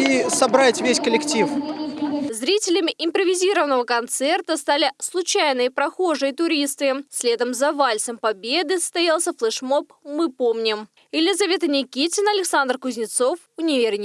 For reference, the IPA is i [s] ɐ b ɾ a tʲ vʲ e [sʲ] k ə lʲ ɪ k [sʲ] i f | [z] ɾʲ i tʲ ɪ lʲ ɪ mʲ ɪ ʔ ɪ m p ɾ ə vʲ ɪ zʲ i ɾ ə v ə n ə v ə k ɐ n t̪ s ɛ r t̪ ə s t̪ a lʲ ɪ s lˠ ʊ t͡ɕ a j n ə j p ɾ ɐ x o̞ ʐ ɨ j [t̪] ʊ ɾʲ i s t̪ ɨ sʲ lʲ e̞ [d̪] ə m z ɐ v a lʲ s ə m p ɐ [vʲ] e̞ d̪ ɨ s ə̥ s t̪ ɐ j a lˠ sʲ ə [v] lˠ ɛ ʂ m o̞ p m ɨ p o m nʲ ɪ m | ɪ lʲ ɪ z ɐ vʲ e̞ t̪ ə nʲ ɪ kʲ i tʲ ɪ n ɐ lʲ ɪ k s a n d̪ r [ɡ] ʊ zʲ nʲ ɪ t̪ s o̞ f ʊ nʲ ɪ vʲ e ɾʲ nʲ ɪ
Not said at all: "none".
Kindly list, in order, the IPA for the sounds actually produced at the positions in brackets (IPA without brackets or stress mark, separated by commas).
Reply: s, sʲ, tʲ, z, t̪, d̪, bʲ, f, k